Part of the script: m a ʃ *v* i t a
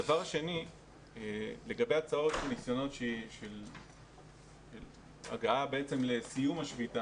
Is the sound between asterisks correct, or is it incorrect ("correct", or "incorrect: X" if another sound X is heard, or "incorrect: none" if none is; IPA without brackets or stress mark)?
correct